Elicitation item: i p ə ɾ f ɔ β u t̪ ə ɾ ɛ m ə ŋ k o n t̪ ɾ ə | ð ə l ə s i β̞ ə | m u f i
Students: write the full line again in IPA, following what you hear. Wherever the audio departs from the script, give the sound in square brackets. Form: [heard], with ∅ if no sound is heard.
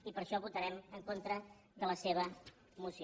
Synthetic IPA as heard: i p ə ɾ [ʃ] ɔ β u t̪ ə ɾ ɛ m ə ŋ k o n t̪ ɾ ə | ð ə l ə s [e] β̞ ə | m u [s] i